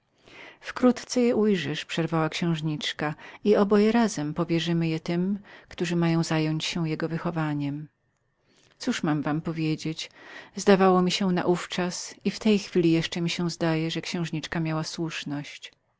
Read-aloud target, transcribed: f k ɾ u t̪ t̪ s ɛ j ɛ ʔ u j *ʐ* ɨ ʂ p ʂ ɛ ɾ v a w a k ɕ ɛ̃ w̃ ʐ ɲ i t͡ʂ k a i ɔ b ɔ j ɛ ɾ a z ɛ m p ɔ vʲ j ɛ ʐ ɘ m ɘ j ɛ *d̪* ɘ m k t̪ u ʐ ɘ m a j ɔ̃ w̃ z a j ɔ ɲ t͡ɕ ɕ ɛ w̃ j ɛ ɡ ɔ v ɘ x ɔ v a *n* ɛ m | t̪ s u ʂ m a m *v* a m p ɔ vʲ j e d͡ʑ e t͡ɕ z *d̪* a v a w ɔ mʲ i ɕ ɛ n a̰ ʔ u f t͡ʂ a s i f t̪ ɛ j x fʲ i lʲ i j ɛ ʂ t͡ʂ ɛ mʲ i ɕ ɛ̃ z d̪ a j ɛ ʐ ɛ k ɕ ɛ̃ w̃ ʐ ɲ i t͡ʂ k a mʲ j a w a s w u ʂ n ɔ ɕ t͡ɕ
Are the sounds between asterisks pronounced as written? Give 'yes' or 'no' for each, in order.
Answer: yes, no, no, yes, yes

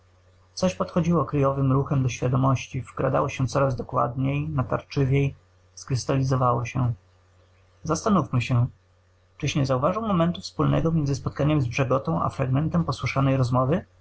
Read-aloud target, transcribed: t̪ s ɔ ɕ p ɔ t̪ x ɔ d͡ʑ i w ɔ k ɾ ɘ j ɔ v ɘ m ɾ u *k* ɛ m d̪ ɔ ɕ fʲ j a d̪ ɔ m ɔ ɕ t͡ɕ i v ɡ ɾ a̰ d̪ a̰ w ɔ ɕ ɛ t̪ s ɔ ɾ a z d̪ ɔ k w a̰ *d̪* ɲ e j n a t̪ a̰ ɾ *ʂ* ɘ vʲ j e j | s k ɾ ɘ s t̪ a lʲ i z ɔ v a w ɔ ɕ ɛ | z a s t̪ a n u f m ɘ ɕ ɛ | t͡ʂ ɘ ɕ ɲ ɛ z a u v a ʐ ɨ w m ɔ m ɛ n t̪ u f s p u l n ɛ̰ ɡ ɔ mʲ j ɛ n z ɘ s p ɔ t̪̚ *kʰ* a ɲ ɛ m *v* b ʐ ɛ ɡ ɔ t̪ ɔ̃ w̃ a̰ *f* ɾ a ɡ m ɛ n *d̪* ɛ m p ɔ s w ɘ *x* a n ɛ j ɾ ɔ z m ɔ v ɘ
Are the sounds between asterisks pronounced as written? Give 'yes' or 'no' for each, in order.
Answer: no, yes, no, no, no, yes, no, no

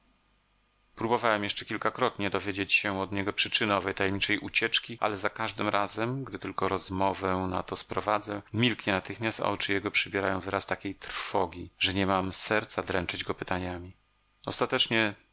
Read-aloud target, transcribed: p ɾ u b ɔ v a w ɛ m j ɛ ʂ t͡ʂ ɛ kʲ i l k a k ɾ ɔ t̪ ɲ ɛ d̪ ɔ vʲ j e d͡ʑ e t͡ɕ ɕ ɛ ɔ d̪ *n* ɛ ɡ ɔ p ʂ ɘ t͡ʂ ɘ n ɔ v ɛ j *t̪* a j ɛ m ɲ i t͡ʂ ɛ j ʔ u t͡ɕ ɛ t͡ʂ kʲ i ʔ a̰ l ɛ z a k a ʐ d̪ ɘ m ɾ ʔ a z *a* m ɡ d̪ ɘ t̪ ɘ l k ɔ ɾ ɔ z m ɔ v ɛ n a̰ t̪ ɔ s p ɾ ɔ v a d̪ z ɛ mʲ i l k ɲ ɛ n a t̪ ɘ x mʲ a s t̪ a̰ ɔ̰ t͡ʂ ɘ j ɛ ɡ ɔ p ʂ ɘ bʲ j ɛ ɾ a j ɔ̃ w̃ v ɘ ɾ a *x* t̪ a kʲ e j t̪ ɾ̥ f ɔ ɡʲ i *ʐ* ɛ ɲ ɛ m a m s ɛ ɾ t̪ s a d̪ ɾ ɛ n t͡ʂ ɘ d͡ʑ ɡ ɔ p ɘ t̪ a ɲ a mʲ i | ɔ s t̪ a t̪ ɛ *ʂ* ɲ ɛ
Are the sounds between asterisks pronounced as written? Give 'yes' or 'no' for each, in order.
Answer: no, yes, no, no, yes, no

